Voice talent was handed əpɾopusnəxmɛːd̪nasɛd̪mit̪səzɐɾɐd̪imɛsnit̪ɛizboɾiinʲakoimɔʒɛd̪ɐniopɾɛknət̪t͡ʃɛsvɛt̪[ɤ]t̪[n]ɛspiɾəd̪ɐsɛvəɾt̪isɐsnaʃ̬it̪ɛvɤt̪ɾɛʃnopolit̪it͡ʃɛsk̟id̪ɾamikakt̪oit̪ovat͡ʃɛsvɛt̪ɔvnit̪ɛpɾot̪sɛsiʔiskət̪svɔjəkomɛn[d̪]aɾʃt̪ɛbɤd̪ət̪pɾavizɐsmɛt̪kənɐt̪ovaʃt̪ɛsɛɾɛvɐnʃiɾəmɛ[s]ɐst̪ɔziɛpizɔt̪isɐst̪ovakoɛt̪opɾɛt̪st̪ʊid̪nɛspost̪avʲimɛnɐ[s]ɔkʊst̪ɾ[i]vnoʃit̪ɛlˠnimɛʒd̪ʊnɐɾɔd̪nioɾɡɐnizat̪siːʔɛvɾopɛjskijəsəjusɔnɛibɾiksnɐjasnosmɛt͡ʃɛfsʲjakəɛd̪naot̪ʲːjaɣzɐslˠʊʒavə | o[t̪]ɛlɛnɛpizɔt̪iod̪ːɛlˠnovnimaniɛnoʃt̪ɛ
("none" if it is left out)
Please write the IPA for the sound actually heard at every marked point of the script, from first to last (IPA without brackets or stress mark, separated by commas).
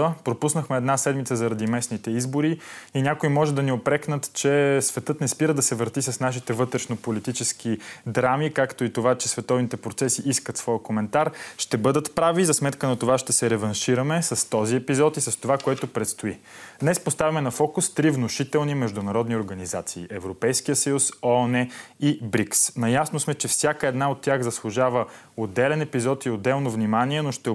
ɤ, n, t̪, s, f, i, d̪